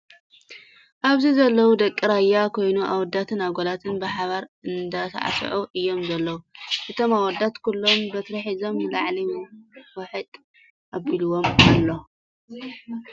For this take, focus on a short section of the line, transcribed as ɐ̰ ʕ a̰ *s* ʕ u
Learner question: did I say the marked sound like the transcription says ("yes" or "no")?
yes